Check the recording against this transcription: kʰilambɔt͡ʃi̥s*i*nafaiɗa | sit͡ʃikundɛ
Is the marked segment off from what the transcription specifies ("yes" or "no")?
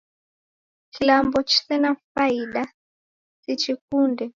yes